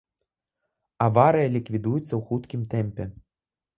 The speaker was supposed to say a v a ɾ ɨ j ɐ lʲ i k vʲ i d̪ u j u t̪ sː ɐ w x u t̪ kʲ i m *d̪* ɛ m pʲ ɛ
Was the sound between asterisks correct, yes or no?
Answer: no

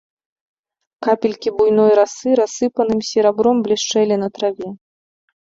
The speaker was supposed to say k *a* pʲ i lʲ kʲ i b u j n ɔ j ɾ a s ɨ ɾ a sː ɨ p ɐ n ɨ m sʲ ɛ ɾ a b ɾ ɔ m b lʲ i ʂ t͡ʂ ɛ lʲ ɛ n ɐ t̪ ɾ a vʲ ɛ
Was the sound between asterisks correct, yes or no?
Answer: yes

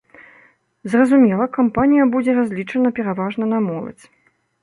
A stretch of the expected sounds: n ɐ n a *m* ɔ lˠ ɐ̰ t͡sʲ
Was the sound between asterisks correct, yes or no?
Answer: yes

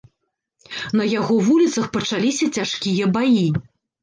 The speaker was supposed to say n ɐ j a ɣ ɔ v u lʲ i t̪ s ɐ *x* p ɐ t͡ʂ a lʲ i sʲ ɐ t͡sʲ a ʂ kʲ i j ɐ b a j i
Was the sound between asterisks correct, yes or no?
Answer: yes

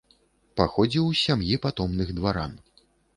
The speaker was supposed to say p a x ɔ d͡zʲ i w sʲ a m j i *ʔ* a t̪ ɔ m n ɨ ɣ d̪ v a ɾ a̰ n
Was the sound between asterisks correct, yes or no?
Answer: no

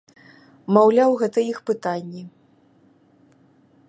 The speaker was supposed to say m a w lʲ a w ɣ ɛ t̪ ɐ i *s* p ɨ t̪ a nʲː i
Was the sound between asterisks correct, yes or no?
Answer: no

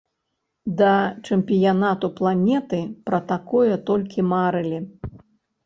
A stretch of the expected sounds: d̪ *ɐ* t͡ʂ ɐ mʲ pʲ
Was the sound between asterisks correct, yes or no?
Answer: yes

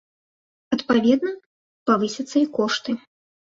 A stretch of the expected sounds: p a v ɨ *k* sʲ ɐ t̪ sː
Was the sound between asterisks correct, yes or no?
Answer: no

